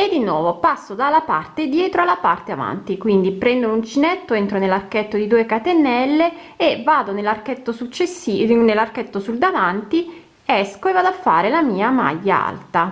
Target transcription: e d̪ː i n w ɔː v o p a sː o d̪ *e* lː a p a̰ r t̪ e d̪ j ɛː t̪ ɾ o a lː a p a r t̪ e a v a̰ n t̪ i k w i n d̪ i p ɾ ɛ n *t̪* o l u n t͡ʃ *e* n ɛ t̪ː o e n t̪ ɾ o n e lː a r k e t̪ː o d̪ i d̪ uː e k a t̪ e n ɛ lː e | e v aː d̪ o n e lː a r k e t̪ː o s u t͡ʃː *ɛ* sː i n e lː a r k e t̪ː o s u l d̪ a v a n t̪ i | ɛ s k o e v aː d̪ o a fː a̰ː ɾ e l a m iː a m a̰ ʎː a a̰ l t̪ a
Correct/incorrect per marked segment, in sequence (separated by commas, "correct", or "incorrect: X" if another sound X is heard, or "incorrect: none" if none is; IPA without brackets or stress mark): incorrect: a, incorrect: d̪, incorrect: i, incorrect: e